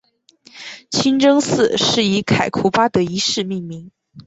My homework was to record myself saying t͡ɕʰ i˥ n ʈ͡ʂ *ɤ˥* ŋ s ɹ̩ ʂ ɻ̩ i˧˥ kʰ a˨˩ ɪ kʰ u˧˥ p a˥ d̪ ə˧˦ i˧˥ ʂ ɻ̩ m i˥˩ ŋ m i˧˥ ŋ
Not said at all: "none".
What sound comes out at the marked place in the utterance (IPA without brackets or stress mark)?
ɤ˥